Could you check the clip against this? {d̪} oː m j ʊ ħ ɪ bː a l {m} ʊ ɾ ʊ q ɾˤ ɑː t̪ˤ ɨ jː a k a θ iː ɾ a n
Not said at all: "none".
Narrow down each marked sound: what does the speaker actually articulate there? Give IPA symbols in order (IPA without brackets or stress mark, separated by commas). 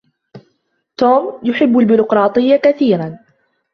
t̪, b